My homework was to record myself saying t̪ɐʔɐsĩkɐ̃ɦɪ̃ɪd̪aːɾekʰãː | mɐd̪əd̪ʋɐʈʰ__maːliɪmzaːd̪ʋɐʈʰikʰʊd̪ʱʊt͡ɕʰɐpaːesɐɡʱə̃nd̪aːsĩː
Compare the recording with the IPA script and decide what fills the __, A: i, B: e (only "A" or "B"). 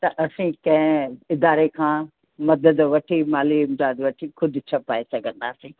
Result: A